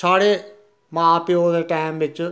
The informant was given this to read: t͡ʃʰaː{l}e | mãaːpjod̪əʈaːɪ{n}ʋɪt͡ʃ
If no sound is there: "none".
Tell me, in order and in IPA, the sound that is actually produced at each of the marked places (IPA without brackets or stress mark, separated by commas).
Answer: ɽ, m